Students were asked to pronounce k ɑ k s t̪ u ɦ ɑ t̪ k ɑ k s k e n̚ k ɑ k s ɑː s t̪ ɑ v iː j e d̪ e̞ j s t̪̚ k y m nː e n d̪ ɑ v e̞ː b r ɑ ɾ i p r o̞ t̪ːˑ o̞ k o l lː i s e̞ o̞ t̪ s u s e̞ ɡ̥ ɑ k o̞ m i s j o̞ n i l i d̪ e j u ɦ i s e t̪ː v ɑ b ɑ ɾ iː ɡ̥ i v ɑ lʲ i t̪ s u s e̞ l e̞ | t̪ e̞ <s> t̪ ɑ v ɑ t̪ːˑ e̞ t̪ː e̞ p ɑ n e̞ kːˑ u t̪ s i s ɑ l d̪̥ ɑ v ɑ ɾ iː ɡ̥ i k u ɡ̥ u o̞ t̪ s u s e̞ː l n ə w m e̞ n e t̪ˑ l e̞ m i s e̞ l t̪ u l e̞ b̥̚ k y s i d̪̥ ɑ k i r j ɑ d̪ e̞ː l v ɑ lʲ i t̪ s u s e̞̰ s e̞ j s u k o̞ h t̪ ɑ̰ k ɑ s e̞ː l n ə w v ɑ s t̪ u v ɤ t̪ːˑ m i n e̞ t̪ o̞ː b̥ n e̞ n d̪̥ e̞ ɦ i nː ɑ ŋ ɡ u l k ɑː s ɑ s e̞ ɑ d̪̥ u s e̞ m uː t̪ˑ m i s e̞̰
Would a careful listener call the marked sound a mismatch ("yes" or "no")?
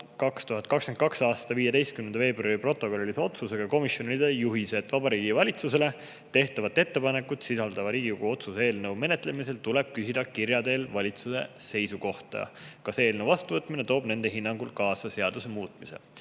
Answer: yes